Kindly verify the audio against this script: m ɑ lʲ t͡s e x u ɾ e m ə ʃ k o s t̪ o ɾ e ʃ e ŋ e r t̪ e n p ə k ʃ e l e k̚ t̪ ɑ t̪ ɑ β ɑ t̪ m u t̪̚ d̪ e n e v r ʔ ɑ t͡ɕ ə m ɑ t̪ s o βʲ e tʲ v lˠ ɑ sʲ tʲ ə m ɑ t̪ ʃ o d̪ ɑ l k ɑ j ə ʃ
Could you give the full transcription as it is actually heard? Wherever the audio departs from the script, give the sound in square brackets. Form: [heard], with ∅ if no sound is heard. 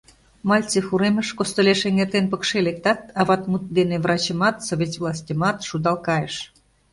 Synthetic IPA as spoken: m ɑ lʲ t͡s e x u ɾ e m ə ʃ k o s t̪ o [l] e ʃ e ŋ e r t̪ e n p ə k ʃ e l e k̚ t̪ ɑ t̪ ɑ β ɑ t̪ m u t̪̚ d̪ e n e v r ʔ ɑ t͡ɕ ə m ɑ t̪ s o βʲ e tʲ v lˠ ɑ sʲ tʲ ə m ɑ t̪ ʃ [u] d̪ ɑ l k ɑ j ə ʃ